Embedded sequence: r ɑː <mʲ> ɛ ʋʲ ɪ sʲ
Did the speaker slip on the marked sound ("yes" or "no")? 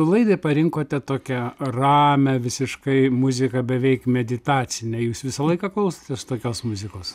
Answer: no